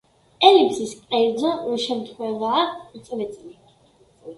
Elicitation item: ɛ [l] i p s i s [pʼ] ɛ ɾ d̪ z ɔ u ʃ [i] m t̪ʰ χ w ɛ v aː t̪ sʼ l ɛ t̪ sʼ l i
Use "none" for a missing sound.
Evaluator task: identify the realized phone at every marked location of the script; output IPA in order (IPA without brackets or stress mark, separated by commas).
l, kʼ, ɛ